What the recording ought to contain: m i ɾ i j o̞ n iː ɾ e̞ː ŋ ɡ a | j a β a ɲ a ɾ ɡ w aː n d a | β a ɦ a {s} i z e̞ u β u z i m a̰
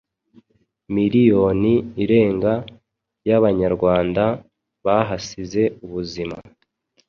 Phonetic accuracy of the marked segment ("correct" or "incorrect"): correct